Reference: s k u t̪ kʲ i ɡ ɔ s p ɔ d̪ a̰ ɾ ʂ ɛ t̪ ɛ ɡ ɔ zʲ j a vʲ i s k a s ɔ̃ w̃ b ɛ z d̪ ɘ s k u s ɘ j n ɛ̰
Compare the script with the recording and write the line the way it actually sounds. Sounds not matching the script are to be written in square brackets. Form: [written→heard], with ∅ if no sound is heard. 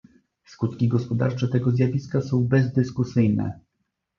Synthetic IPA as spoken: s k u t̪ kʲ i ɡ ɔ s p ɔ d̪ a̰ ɾ [ʂ→t͡ʂ] ɛ t̪ ɛ ɡ ɔ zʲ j a vʲ i s k a s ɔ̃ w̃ b ɛ z d̪ ɘ s k u s ɘ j n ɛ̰

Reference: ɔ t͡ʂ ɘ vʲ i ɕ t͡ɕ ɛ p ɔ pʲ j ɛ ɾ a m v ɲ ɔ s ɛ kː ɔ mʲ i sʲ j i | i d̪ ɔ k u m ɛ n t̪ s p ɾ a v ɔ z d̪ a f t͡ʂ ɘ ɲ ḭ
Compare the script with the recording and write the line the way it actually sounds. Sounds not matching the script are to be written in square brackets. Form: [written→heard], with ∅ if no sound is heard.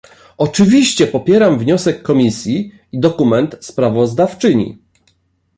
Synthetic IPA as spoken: ɔ t͡ʂ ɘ vʲ i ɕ t͡ɕ ɛ p ɔ pʲ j ɛ ɾ a m v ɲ ɔ s ɛ kː ɔ mʲ i sʲ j i | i d̪ ɔ k u m ɛ n t̪ s p ɾ a v ɔ z d̪ a f t͡ʂ ɘ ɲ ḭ

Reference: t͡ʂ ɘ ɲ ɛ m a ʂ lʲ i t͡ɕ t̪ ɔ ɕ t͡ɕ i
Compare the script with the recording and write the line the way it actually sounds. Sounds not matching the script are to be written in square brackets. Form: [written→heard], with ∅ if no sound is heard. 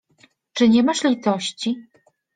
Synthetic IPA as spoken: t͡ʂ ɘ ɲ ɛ m a ʂ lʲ i [t͡ɕ→∅] t̪ ɔ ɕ t͡ɕ i

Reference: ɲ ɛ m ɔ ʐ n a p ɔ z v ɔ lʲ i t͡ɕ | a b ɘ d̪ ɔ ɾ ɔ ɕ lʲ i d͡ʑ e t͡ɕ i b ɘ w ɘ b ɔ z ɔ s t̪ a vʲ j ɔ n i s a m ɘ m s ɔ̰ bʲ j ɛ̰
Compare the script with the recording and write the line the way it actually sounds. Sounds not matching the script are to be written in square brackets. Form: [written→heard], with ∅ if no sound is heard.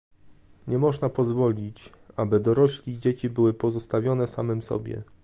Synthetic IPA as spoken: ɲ ɛ m ɔ ʐ n a p ɔ z v ɔ lʲ i t͡ɕ | a b ɘ d̪ ɔ ɾ ɔ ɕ lʲ i d͡ʑ e t͡ɕ i b ɘ w ɘ [b→p] ɔ z ɔ s t̪ a vʲ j ɔ n [i→ɛ] s a m ɘ m s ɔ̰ bʲ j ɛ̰

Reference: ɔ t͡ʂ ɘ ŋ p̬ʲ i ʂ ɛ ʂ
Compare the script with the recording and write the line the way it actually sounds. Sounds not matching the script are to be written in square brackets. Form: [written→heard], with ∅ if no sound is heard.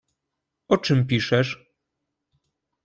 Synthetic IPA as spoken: ɔ t͡ʂ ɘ [ŋ→m] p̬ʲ i ʂ ɛ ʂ

